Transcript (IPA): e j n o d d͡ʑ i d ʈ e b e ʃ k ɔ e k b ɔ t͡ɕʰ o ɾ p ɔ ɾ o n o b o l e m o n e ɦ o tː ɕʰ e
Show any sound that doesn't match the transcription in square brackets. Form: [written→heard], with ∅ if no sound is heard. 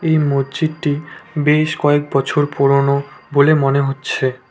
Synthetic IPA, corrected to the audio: e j [n→m] o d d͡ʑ i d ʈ [e→i] b e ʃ k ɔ e k b ɔ t͡ɕʰ o ɾ p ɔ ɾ o n o b o l e m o n e ɦ o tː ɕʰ e